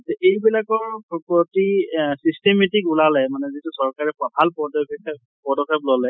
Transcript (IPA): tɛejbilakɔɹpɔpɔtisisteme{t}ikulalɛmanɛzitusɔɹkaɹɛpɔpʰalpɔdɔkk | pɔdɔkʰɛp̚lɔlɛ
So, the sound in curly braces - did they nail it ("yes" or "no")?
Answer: yes